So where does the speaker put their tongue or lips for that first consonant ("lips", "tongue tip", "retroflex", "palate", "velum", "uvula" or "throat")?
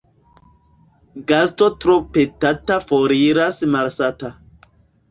velum